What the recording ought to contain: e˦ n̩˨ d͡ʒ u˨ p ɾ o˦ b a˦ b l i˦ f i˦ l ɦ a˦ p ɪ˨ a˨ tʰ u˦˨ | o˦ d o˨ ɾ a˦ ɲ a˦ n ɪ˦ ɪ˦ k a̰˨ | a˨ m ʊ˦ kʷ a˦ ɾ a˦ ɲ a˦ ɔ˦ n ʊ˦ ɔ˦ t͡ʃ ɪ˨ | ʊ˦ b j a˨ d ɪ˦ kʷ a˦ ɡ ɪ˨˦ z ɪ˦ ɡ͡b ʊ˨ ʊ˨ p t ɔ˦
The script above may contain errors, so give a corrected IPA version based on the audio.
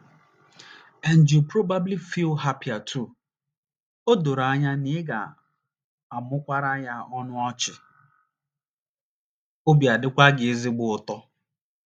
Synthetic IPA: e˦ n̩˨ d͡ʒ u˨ p ɾ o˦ b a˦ b l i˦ f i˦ l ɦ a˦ p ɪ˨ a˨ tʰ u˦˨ | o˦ d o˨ ɾ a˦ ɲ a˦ n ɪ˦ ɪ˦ ɡ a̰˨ | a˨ m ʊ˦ kʷ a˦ ɾ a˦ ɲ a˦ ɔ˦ n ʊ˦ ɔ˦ t͡ʃ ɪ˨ | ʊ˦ b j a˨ d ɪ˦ kʷ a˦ ɡ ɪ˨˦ z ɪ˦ ɡ͡b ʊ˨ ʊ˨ t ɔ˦